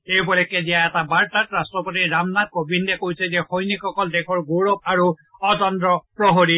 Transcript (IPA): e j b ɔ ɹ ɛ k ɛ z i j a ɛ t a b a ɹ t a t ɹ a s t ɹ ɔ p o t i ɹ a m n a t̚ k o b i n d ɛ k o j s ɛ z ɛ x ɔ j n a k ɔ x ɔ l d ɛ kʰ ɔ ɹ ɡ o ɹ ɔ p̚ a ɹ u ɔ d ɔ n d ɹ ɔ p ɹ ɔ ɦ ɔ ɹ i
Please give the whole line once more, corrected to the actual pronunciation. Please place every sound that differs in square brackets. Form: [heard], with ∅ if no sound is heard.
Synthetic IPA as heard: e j b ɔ [l] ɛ k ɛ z i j a ɛ t a b a ɹ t a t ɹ a s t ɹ ɔ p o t i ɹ a m n a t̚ k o b i n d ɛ k o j s ɛ z ɛ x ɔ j n [i] k ɔ [k] ɔ l d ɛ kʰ ɔ ɹ ɡ o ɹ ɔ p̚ a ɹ u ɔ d ɔ n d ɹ ɔ p ɹ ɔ ɦ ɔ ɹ i

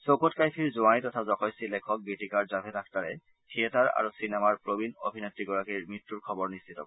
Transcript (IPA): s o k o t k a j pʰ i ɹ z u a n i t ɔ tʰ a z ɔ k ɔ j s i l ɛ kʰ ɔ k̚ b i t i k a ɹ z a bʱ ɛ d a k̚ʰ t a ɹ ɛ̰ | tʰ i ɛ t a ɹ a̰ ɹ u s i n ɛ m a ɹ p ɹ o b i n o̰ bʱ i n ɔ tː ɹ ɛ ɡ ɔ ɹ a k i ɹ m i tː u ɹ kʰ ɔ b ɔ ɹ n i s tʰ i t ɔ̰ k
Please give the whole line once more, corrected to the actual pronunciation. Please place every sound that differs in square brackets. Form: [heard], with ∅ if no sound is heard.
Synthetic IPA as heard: s o k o t k a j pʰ i ɹ z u a n i t ɔ tʰ a z ɔ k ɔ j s i l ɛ kʰ ɔ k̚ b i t i k a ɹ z a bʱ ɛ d a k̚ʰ t a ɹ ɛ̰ | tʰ i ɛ t a ɹ a̰ ɹ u s i n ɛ m a ɹ p ɹ o b i n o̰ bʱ i n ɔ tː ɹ [i] ɡ ɔ ɹ a k i ɹ m i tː u ɹ kʰ ɔ b ɔ ɹ n i s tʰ i t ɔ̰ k

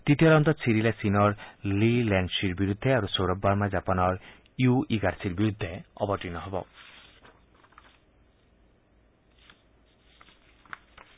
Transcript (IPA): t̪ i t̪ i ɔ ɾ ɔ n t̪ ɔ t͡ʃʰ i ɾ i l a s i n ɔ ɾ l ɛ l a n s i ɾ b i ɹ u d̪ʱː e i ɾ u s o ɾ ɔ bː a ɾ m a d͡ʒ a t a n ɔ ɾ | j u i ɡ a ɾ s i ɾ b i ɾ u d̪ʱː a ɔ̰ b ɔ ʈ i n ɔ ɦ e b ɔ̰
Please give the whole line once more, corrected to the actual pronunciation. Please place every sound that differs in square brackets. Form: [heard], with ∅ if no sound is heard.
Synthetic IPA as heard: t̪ i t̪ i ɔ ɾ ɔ n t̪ ɔ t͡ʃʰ i ɾ i l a s i n ɔ ɾ l [i] l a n s i ɾ b i [ɾ] u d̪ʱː e [a] ɾ u s o ɾ ɔ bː a ɾ m a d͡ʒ a [p] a n ɔ ɾ | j u i ɡ a ɾ s i ɾ b i ɾ u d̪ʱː [e] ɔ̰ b ɔ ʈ i n ɔ ɦ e b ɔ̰

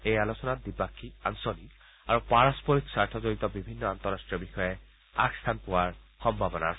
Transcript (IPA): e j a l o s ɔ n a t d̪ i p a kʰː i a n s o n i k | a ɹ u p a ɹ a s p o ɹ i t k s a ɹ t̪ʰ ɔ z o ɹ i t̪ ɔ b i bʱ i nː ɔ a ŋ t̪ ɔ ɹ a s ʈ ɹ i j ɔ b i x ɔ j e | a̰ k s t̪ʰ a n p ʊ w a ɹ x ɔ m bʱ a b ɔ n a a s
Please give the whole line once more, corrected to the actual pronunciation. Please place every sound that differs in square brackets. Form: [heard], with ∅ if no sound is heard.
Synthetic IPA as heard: e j a l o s ɔ n a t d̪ i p a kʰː i a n s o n i k | a ɹ u p a ɹ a s p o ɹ i [∅] k s a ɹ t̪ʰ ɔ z o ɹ i t̪ ɔ b i bʱ i nː ɔ a [n] t̪ ɔ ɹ a s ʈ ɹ i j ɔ b i x ɔ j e | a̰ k s t̪ʰ a n p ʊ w a ɹ x ɔ m bʱ a b ɔ n a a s

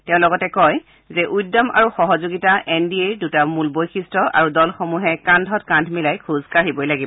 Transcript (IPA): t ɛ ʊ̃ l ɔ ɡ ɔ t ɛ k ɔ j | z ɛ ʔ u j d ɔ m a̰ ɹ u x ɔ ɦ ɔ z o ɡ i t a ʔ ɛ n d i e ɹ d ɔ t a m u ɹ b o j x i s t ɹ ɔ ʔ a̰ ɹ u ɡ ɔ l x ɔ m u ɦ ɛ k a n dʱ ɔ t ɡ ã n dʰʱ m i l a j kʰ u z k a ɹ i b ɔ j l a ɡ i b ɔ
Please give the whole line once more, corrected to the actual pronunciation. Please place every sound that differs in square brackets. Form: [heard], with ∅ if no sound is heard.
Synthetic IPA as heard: t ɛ ʊ̃ l ɔ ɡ ɔ t ɛ k ɔ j | z ɛ ʔ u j d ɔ m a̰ ɹ u x ɔ ɦ ɔ z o ɡ i t a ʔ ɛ n d i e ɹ d [u] t a m u [l] b o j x i s t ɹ ɔ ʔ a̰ ɹ u [d] ɔ l x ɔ m u ɦ ɛ k a n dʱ ɔ t [k] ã n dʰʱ m i l a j kʰ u z k a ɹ i b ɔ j l a ɡ i b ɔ

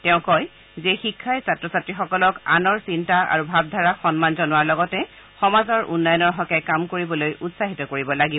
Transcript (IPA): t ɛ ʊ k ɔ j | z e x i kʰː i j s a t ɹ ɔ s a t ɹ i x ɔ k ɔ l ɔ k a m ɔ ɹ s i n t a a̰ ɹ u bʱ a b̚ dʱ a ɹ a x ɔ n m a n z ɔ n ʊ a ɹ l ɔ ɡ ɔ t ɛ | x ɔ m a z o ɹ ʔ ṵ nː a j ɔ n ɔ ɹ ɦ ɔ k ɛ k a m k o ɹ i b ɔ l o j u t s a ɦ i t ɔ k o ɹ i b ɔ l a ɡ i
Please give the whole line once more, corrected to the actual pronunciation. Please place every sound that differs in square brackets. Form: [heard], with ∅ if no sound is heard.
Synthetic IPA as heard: t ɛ [ʊ̃] k ɔ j | z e x i kʰː [a] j s a t ɹ ɔ s a t ɹ i x ɔ k ɔ l ɔ k a [n] ɔ ɹ s i n t a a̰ ɹ u bʱ a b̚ dʱ a ɹ a x ɔ n m a n z ɔ n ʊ a ɹ l ɔ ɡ ɔ t ɛ | x ɔ m a z [ɔ] ɹ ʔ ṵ nː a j ɔ n ɔ ɹ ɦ ɔ k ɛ k a m k o ɹ i b ɔ l o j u t s a ɦ i t ɔ k o ɹ i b ɔ l a ɡ i

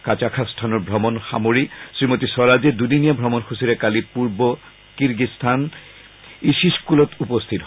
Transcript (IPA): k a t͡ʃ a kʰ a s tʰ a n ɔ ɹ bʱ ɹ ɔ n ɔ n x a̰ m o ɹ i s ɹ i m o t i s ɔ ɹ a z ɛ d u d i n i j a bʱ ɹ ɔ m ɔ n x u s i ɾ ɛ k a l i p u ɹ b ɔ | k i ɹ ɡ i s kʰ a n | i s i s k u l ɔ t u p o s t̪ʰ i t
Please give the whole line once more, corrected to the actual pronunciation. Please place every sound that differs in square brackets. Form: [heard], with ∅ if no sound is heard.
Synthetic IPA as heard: k a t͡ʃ a kʰ a s tʰ a n ɔ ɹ bʱ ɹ ɔ [m] ɔ n x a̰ m o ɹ i s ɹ i m o t i s ɔ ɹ a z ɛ d u d i n i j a bʱ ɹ ɔ m ɔ n x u s i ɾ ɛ k a l i p u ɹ b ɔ | k i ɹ ɡ i s [tʰ] a n | i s i s k u l ɔ t u p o s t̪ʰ i t

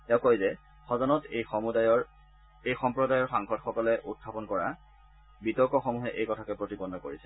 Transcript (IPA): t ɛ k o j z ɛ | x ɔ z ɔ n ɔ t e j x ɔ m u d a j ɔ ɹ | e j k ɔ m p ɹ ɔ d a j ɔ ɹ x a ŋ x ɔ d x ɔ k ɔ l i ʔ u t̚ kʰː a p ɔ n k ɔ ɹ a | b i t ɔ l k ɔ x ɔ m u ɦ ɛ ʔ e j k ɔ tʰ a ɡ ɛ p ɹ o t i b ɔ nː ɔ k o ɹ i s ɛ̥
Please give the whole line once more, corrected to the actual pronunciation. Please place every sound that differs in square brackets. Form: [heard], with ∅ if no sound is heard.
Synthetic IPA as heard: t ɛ k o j z ɛ | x ɔ z ɔ n ɔ t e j x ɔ m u d a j ɔ ɹ | e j [x] ɔ m p ɹ ɔ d a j ɔ ɹ x a ŋ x ɔ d x ɔ k ɔ l [ɛ] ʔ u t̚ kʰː a p ɔ n k ɔ ɹ a | b i t ɔ [ɹ] k ɔ x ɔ m u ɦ ɛ ʔ e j k ɔ tʰ a [k] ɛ p ɹ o t i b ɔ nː ɔ k o ɹ i s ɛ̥

